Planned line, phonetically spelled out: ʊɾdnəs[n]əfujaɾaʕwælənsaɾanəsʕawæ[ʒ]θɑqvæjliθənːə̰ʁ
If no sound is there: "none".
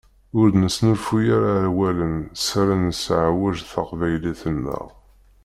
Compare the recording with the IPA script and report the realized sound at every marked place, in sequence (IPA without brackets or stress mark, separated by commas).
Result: n, ʒ